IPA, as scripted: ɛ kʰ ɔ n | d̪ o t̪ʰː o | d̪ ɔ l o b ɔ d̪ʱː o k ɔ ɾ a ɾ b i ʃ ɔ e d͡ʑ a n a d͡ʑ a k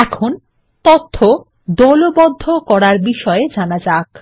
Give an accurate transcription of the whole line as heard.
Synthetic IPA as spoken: ɛ kʰ o n | t̪ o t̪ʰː o | d̪ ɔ l o b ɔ d̪ʱː o k ɔ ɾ a ɾ b i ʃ ɔ e d͡ʑ a n a d͡ʑ a k

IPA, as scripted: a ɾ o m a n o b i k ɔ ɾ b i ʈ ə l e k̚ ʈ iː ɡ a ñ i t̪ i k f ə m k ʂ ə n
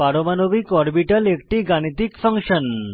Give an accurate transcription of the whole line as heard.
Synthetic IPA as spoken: a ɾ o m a n o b i k ɔ ɾ b i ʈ ə l e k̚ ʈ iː ɡ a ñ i t̪ i k f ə ŋ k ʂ ə n

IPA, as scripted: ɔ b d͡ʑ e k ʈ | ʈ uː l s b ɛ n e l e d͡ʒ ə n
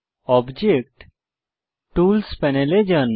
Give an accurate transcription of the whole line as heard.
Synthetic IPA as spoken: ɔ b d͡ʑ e k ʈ | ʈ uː l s p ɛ n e l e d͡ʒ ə n

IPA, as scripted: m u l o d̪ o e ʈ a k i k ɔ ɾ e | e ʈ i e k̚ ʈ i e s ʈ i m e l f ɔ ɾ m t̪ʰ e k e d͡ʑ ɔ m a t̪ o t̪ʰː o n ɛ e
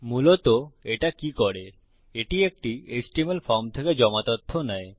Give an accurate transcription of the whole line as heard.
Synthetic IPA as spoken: m u l o t̪ o e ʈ a k i k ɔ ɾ e | e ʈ i e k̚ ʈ i e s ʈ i m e l f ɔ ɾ m t̪ʰ e k e d͡ʑ ɔ m a t̪ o t̪ʰː o n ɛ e

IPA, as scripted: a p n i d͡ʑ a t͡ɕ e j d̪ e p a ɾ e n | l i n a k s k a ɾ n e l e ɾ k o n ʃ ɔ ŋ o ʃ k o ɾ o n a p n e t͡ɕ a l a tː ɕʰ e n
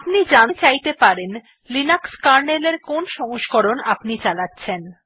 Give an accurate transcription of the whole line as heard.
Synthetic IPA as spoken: a p n i d͡ʑ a t͡ɕ a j t̪ e p a ɾ e n | l i n a k s k a ɾ n e l e ɾ k o n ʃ ɔ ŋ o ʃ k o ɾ o n a p n i t͡ɕ a l a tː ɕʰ e n

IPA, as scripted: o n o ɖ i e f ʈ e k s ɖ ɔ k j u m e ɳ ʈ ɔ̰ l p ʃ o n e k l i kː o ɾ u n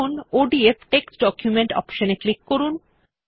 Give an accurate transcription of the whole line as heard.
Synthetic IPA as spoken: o n o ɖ i e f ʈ e k s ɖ ɔ k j u m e ɳ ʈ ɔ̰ p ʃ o n e k l i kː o ɾ u n

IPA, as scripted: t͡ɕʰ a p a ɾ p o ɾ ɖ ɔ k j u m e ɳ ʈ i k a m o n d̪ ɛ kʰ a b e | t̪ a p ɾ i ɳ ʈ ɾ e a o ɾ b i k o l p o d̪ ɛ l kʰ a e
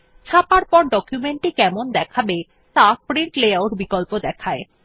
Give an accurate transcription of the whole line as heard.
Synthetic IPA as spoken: t͡ɕʰ a p a ɾ p ɔ ɾ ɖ ɔ k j u m e ɳ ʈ i k ɛ m o n d̪ ɛ kʰ a b e | t̪ a p ɾ i ɳ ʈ l e a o ɾ b i k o l p o d̪ ɛ kʰ a e

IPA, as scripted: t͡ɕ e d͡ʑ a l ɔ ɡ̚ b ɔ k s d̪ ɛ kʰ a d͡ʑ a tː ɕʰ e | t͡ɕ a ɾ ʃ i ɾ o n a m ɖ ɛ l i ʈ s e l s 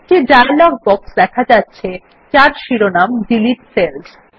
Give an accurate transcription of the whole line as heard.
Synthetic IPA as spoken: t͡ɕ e d͡ʑ a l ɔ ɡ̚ b ɔ k s d̪ ɛ kʰ a d͡ʑ a tː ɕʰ e | t͡ɕ a ɾ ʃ i ɾ o n a m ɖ i l i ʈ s e l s

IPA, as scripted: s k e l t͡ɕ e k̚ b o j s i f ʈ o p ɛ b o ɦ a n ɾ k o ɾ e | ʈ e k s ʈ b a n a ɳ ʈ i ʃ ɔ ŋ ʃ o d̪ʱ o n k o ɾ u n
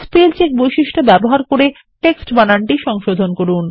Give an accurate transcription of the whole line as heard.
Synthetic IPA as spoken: s p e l t͡ɕ e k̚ b o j ʃ i ʃ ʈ o b ɛ b o ɦ a ɾ k o ɾ e | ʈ e k s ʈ b a n a ɳ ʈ i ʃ ɔ ŋ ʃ o d̪ʱ o n k o ɾ u n

